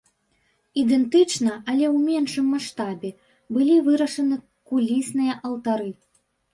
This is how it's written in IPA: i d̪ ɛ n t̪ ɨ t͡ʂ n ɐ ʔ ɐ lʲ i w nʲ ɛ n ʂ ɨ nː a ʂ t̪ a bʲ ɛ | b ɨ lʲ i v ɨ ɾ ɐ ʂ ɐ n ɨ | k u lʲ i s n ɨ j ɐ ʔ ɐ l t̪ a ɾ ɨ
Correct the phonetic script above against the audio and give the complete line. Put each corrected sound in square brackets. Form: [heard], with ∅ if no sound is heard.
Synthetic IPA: i d̪ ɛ n t̪ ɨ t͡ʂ n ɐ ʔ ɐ lʲ [ɛ] w [mʲ] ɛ n ʂ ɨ [mː] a ʂ t̪ a bʲ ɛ | b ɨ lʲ i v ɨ ɾ ɐ ʂ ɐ n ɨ | k u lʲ i s n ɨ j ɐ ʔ ɐ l t̪ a ɾ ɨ